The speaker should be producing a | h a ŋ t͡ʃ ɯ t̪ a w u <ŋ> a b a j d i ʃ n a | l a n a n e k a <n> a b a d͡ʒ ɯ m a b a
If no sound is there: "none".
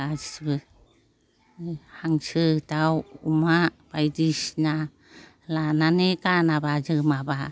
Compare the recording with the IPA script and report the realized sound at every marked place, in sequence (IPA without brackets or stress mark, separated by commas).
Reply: m, n